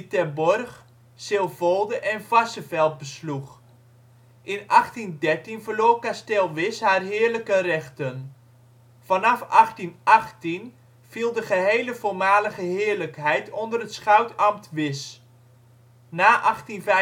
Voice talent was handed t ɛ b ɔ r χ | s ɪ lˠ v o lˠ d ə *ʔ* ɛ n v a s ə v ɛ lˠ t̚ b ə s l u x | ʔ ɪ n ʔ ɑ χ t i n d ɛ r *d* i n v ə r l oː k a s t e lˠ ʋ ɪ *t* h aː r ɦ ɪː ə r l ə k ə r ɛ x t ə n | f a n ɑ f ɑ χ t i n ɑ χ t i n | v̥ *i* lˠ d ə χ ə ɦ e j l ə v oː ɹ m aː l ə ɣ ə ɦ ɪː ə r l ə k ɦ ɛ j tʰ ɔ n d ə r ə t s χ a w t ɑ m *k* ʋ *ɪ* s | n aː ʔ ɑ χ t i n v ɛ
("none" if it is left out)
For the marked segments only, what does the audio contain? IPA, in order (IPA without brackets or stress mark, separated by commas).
ʔ, t, s, i, t, ɪ